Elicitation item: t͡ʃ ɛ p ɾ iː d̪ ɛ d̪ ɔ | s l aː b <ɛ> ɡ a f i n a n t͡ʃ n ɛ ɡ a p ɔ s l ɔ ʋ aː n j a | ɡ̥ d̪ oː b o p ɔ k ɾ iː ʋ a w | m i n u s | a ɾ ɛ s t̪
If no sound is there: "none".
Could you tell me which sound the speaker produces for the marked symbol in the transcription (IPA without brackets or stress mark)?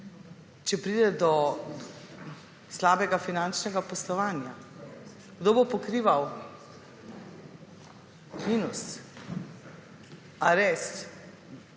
ɛ